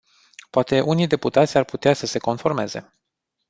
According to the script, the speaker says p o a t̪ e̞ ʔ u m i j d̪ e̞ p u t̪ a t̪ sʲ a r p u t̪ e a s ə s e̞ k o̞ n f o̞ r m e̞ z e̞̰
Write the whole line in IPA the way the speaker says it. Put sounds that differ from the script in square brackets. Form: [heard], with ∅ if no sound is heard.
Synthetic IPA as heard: p o a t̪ e̞ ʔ u [n] i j d̪ e̞ p u t̪ a t̪ sʲ a r p u t̪ e a s ə s e̞ k o̞ n f o̞ r m e̞ z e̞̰